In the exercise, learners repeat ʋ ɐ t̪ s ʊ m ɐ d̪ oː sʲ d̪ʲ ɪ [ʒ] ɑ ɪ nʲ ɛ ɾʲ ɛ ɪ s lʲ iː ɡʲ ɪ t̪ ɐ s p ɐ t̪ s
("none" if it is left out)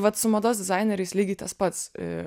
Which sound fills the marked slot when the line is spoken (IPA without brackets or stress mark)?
z